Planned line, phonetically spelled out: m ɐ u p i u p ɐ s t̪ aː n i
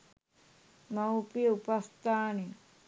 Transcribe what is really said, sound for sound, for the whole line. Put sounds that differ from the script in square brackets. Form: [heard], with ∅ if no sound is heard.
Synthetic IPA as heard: m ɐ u p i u p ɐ s t̪ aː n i